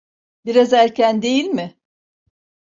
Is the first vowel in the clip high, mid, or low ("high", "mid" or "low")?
high